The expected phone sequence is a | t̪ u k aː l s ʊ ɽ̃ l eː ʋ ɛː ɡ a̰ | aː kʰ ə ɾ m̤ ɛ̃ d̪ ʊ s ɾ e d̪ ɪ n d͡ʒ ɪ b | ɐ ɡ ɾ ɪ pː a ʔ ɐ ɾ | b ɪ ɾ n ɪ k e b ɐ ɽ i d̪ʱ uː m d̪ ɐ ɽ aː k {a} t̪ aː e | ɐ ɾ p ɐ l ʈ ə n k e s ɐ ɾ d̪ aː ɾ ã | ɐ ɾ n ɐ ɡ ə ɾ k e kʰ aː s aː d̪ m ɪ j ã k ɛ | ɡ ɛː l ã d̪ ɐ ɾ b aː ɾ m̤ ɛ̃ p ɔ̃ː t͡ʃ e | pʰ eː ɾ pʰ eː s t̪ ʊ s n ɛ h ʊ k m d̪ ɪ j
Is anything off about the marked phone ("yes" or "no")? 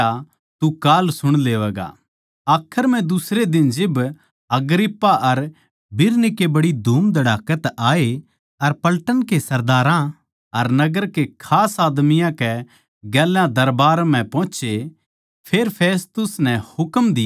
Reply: yes